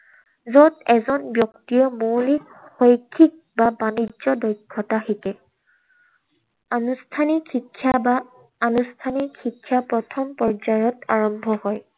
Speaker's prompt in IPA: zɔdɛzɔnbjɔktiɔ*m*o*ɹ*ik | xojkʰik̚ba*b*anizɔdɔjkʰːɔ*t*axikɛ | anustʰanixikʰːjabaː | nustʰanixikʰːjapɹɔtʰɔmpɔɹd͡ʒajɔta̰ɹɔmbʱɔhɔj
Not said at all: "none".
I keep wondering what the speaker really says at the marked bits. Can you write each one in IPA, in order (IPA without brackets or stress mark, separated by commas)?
m, l, b, t